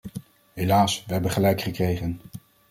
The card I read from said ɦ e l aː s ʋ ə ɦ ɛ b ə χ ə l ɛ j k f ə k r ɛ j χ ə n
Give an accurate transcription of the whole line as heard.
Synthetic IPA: ɦ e l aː s ʋ ə ɦ ɛ b ə χ ə l ɛ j k χ ə k r e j χ ə n